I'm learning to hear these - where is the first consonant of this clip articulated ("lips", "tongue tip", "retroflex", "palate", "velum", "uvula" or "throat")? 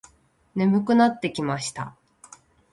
tongue tip